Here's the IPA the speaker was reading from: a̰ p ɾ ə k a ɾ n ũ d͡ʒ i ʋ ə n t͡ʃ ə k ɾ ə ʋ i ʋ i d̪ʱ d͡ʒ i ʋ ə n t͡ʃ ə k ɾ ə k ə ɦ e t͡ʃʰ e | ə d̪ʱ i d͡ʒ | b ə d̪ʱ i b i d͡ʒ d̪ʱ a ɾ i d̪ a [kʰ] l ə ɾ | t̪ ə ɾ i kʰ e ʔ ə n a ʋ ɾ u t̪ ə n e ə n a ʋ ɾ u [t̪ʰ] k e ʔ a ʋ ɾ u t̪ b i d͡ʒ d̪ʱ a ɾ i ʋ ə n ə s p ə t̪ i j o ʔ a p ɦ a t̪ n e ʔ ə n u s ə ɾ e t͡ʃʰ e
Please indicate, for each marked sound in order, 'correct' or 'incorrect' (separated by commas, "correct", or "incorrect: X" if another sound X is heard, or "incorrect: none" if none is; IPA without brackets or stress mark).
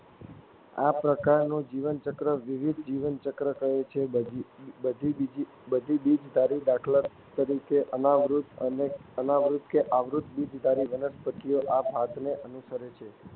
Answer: correct, incorrect: t̪